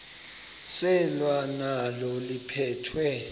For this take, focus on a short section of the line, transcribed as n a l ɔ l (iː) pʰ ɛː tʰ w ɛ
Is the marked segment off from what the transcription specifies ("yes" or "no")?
yes